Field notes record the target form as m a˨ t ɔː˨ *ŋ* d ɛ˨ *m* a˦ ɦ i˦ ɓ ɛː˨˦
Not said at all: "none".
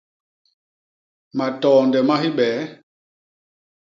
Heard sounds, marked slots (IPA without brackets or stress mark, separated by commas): n, m